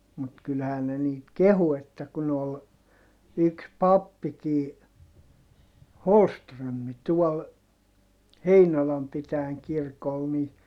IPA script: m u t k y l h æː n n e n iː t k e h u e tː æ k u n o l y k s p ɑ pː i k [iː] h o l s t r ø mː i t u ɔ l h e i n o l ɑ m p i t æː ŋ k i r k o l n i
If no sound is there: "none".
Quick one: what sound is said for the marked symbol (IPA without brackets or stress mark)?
iː